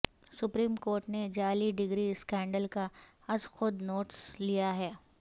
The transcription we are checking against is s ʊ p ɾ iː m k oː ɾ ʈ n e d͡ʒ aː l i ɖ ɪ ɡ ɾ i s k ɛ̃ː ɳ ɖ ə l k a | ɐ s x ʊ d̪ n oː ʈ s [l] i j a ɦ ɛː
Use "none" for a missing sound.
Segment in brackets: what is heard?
l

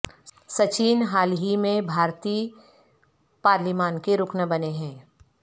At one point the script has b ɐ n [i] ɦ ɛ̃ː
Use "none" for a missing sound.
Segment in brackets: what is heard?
e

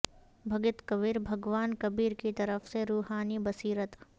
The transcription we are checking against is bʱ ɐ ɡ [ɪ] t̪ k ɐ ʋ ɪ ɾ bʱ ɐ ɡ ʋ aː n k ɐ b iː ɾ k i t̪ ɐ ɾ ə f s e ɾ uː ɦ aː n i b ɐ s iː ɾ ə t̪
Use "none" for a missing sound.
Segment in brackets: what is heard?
ɪ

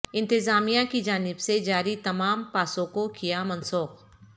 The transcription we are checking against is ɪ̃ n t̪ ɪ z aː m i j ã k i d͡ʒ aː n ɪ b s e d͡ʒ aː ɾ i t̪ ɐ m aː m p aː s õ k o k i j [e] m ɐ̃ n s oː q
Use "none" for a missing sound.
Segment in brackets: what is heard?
a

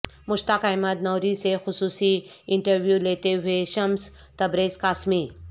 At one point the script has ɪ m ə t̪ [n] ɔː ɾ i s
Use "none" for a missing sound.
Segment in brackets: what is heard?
n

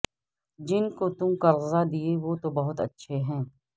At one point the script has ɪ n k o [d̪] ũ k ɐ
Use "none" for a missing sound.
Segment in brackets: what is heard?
t̪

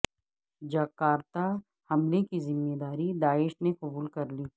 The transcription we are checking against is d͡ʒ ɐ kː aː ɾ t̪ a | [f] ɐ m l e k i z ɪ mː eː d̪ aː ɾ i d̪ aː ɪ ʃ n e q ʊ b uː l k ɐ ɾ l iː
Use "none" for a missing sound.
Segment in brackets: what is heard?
h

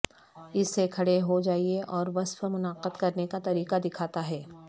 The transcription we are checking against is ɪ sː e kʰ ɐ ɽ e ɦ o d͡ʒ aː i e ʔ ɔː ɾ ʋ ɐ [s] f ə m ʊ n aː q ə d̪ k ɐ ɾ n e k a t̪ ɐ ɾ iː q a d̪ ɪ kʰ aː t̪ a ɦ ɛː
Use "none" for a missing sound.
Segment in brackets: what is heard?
s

